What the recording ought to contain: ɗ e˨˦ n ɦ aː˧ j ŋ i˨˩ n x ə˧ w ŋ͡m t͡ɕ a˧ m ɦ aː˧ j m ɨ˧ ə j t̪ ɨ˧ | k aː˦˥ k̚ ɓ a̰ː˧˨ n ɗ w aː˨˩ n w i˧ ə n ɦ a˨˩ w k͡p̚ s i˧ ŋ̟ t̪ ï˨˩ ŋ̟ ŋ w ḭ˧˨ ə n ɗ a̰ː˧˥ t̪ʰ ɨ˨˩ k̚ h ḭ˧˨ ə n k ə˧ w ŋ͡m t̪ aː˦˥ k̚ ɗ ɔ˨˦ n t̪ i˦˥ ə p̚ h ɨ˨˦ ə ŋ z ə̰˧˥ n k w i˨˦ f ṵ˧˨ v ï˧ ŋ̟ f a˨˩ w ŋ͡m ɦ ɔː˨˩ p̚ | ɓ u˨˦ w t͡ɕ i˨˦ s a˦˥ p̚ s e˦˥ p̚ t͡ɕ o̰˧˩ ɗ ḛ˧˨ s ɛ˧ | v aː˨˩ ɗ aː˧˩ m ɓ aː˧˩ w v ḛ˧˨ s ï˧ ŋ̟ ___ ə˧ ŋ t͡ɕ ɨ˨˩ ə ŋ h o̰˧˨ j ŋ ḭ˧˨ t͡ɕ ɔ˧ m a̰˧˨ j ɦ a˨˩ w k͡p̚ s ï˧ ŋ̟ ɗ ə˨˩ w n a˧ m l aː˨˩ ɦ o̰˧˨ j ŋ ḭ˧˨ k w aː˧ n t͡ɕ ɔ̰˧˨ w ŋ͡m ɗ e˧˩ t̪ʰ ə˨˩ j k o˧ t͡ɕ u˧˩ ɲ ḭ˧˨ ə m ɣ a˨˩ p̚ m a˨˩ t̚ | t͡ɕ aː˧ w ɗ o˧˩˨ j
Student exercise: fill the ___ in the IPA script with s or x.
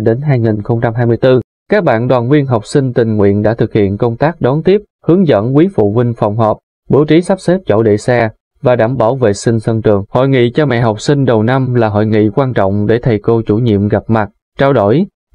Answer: s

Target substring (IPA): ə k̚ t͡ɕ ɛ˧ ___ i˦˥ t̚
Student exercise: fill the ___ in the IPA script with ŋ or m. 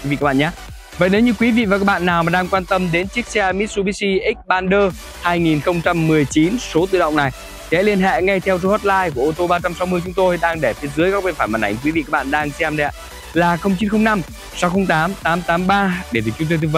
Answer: m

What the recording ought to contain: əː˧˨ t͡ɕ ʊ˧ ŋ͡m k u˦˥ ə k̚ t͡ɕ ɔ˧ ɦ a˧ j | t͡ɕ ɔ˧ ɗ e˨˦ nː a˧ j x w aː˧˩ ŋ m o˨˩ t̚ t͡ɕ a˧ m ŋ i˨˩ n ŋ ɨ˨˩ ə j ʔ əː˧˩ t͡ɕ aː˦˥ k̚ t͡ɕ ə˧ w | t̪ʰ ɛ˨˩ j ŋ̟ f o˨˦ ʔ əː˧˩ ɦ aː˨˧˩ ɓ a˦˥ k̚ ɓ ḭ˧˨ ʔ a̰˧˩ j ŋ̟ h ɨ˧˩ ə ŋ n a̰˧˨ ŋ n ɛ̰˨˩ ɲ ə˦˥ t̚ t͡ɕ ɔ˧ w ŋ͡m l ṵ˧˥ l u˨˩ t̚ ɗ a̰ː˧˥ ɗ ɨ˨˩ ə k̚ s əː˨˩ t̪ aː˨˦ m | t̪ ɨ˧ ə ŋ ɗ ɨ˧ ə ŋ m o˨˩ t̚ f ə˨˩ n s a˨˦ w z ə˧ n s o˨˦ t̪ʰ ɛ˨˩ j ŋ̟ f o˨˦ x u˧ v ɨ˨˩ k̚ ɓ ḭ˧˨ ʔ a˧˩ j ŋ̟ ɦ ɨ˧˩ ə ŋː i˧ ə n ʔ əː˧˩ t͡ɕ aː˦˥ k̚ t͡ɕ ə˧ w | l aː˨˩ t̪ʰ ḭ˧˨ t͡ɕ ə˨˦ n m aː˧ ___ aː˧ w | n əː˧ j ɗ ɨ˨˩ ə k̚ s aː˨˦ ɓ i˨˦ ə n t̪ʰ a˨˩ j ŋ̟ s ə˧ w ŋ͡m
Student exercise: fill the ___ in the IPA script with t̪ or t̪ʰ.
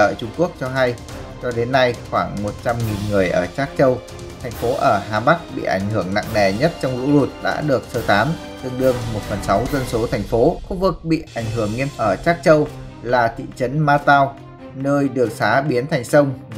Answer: t̪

